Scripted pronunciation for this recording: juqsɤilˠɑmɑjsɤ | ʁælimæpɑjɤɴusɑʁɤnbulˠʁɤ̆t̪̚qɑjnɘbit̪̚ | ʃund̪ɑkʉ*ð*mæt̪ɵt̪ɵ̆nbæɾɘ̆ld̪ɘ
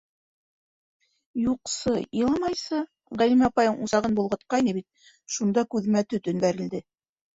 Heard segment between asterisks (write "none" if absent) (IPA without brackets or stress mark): ð